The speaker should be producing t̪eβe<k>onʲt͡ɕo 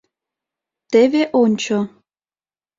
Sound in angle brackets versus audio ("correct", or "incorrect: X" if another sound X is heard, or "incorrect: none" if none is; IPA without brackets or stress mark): incorrect: ʔ